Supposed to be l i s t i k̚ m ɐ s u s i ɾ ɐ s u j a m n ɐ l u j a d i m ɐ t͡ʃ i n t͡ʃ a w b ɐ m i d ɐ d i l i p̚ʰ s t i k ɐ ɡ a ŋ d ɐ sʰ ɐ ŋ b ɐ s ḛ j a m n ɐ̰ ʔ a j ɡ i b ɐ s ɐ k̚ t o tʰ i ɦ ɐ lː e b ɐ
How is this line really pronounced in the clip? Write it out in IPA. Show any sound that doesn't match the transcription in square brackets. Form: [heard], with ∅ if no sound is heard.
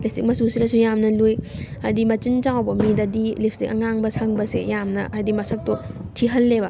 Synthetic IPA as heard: l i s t i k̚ m ɐ s u s i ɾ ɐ s u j a m n ɐ l u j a d i m ɐ t͡ʃ i n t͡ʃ a w b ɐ m i d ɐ d i l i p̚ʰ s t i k ɐ [ŋ] a ŋ [b] ɐ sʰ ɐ ŋ b ɐ s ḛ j a m n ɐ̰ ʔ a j [d] i [m] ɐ s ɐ k̚ t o tʰ i ɦ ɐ lː e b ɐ